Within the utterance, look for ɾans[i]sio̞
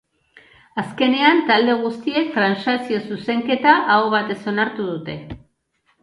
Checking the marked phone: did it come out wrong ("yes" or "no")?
yes